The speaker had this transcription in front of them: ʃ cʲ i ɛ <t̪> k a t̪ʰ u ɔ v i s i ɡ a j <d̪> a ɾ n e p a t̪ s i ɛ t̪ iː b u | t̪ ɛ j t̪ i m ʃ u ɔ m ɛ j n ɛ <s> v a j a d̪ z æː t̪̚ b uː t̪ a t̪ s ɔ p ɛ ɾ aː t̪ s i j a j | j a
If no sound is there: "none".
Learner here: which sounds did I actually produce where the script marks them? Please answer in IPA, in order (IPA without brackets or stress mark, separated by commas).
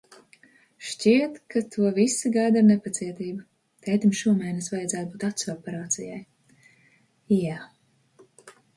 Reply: t̪, d̪, s